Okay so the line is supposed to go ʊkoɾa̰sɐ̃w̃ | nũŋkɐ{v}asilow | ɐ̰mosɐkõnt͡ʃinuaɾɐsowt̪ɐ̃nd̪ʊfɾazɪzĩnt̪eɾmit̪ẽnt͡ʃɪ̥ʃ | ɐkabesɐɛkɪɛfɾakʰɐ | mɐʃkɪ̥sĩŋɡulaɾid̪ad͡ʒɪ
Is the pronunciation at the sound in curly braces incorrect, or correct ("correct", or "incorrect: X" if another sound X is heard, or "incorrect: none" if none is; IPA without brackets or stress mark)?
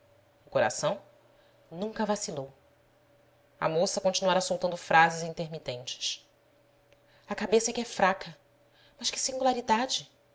correct